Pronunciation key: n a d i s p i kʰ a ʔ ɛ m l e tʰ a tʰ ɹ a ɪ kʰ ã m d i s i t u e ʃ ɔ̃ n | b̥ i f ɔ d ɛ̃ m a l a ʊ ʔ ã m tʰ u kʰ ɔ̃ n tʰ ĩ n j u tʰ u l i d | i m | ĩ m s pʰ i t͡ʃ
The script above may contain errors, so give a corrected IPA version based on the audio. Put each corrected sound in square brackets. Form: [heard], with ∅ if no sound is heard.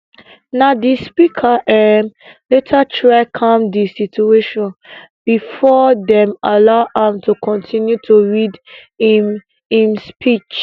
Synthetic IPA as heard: n a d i s p i kʰ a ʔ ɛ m l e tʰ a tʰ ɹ a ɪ kʰ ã m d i s i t u e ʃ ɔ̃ n | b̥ i f ɔ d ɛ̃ m a l a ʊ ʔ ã m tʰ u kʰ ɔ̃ n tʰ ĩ n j u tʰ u [ɹ] i d | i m | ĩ m s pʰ i t͡ʃ